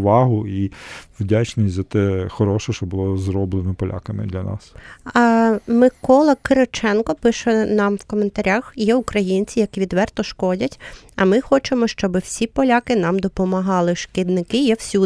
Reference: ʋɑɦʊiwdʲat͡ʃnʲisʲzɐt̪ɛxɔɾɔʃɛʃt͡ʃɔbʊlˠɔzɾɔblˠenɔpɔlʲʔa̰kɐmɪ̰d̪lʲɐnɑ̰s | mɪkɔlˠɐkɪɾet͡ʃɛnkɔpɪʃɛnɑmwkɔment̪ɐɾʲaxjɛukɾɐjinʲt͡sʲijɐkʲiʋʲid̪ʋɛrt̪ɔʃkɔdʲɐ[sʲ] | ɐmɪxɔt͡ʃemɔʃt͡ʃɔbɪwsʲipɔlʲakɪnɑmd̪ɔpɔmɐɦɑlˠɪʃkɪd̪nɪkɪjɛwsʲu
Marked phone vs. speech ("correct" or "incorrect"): incorrect